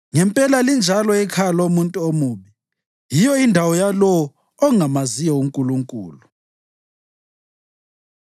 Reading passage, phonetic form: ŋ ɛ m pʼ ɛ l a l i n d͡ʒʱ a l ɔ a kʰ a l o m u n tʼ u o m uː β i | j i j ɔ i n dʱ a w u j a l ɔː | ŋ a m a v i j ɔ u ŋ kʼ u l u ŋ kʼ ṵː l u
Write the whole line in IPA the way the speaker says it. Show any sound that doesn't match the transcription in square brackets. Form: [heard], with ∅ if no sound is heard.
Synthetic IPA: ŋ ɛ m pʼ ɛ l a l i n d͡ʒʱ a l ɔ [ɛ] kʰ a l o m u n tʼ u o m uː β i | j i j ɔ i n dʱ a w [ɔ] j a l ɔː | ŋ a m a [z] i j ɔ u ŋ kʼ u l u ŋ kʼ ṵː l u